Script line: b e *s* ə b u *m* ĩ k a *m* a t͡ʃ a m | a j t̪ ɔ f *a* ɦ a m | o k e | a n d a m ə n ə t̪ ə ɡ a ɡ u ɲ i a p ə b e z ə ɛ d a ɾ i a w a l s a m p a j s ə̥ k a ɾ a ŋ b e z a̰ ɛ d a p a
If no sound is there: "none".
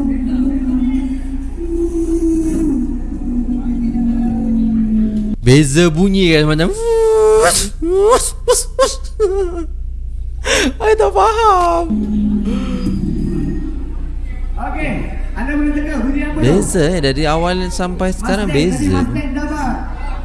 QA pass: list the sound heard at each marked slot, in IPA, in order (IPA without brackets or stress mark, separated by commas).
z, ɲ, m, a